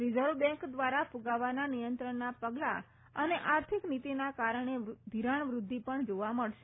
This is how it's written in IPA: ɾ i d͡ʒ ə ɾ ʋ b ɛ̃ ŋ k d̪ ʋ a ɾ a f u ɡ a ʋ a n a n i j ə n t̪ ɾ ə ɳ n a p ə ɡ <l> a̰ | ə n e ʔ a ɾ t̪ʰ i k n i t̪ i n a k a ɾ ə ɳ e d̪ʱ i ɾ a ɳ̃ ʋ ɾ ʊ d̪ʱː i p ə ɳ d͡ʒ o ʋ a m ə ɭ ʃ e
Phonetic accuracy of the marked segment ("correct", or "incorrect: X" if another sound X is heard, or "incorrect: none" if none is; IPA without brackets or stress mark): correct